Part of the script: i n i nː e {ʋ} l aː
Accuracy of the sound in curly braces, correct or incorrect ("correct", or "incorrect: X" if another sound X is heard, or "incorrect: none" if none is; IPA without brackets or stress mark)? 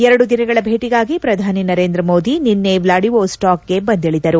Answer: correct